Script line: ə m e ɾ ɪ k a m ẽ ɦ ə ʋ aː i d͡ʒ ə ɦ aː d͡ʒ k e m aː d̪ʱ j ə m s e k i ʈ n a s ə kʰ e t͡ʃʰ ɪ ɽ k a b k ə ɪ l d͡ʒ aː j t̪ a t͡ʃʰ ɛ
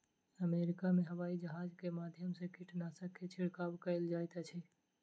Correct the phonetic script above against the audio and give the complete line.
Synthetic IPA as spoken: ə m e ɾ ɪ k a m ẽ ɦ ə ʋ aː i d͡ʒ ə ɦ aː d͡ʒ k e m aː d̪ʱ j ə m s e k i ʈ n a s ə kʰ e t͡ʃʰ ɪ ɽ k a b k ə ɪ l d͡ʒ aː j t̪ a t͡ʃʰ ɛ